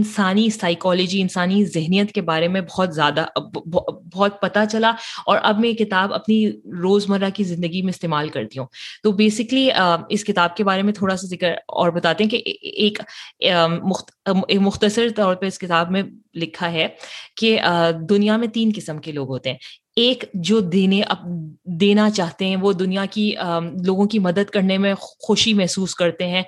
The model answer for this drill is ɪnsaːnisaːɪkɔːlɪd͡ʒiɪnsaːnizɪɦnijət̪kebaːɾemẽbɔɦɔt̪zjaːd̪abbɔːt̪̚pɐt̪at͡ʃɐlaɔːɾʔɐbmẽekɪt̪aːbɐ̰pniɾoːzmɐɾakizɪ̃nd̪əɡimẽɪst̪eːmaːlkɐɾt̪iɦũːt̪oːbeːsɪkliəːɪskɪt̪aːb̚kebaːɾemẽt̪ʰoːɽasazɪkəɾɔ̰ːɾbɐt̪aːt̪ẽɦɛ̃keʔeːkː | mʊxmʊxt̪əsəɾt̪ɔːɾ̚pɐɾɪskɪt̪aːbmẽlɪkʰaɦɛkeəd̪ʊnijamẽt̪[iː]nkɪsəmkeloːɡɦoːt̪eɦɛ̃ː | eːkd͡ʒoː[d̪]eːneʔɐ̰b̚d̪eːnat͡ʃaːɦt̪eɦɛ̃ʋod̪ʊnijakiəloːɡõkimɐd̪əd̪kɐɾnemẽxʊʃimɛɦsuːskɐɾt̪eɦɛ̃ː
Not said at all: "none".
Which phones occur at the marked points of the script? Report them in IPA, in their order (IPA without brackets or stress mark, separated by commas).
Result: iː, d̪